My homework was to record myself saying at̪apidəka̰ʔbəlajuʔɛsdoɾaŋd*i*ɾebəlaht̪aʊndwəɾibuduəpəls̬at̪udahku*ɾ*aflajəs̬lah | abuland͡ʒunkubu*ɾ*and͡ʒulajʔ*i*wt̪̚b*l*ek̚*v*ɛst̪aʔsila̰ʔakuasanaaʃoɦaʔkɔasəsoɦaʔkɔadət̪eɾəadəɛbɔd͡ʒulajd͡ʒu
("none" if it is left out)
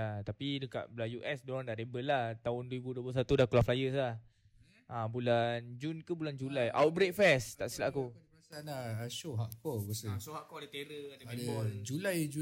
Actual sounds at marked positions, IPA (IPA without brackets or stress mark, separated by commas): a, l, l, a, ɾ, f